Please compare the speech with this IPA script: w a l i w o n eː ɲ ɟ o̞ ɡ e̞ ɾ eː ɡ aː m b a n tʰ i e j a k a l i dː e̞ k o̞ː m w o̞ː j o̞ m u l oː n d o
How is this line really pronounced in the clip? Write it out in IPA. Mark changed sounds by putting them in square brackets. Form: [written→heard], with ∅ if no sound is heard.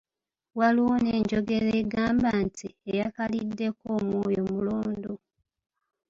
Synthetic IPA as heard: w a l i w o n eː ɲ ɟ o̞ ɡ e̞ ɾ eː ɡ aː m b a n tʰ i e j a k a l i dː e̞ k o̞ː m w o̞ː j o̞ m u l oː n d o